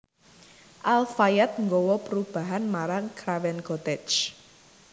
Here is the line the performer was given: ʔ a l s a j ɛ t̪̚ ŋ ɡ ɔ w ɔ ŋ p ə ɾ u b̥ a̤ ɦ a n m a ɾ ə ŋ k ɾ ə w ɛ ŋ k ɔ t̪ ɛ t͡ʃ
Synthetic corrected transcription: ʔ a l f a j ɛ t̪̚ ŋ ɡ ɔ w ɔ p ə ɾ u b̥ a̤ ɦ a n m a ɾ a ŋ k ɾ a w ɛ n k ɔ t̪ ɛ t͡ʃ